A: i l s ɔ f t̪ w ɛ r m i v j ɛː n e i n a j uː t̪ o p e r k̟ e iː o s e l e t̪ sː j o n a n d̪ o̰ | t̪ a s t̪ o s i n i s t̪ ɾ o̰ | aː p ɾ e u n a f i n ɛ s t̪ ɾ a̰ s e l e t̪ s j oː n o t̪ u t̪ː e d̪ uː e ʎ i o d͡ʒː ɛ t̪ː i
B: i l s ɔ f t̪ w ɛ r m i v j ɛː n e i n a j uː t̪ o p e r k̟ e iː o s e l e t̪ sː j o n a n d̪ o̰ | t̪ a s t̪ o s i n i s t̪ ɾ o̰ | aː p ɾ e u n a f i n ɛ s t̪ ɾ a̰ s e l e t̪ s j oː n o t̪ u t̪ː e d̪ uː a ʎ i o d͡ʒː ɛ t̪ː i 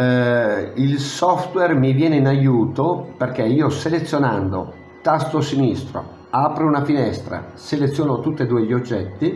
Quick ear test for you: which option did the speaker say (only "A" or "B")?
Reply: A